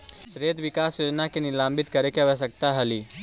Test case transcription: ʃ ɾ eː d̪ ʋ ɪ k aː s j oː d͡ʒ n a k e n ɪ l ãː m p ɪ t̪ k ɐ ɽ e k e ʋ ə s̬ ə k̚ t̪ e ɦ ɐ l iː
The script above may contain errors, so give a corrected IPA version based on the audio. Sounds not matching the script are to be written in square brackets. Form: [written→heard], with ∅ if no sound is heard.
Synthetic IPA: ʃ ɾ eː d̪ ʋ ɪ k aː s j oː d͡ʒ n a k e n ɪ l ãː m [p→b] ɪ t̪ k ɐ [ɽ→ɾ] e k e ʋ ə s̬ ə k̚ t̪ [e→a] ɦ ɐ l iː